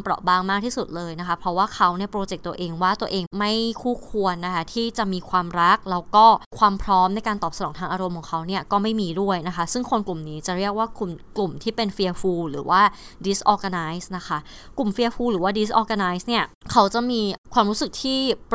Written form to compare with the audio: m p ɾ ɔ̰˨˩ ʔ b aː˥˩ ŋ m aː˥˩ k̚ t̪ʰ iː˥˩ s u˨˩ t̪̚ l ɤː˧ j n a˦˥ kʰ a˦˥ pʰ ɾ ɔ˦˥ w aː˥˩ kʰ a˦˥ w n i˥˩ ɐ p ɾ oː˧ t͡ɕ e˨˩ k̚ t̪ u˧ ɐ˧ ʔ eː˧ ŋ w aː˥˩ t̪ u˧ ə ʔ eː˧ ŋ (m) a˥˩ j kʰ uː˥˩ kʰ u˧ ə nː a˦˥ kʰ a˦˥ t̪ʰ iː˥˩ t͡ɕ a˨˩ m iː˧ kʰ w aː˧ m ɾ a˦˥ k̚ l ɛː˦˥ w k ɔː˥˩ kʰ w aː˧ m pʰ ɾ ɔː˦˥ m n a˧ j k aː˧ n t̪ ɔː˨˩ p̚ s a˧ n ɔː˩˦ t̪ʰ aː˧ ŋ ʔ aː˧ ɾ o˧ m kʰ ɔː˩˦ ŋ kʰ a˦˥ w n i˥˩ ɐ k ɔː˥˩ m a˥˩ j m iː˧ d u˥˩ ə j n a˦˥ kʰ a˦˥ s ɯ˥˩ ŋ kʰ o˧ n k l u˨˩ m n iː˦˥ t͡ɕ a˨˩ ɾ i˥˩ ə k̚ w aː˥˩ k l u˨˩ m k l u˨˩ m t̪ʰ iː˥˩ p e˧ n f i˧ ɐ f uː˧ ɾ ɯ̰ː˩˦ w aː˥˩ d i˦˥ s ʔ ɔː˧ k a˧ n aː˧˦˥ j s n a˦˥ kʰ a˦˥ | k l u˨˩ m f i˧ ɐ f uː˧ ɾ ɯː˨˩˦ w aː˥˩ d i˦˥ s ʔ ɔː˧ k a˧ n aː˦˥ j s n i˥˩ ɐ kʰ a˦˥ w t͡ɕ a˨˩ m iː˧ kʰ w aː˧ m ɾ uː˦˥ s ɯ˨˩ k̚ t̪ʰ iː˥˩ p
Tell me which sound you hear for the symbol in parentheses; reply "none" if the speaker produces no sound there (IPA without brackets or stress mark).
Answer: m